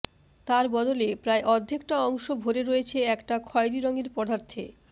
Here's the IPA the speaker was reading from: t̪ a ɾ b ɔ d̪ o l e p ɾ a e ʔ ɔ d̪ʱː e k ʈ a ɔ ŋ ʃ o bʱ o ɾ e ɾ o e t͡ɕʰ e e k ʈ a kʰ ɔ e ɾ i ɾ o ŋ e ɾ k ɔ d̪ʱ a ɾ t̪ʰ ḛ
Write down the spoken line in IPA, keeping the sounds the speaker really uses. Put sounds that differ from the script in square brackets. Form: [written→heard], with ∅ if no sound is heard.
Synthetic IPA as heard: t̪ a ɾ b ɔ d̪ o l e p ɾ a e ʔ ɔ d̪ʱː e k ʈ a ɔ ŋ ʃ o bʱ o ɾ e ɾ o e t͡ɕʰ e [e→ɛ] k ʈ a kʰ ɔ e ɾ i ɾ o ŋ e ɾ [k→p] ɔ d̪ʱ a ɾ t̪ʰ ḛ